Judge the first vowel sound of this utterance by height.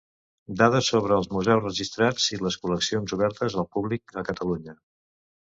low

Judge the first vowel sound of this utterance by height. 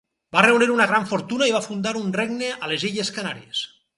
low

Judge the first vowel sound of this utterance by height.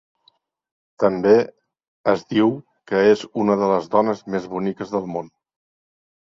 mid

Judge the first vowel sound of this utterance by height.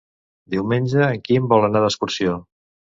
high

